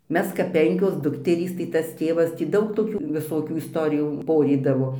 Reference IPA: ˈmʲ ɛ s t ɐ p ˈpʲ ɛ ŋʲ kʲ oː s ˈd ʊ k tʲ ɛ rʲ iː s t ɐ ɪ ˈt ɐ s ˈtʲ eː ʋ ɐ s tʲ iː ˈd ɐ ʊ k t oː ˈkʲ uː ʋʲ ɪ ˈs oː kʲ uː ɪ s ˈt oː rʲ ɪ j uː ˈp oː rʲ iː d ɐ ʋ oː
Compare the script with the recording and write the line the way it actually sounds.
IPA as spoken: ˈmʲ ɛ s k ɐ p ˈpʲ ɛ ŋʲ kʲ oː s ˈd ʊ k tʲ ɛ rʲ iː s t ɐ ɪ ˈt ɐ s ˈtʲ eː ʋ ɐ s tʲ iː ˈd ɐ ʊ k t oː ˈkʲ uː ʋʲ ɪ ˈs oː kʲ uː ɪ s ˈt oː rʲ ɪ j uː ˈp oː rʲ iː d ɐ ʋ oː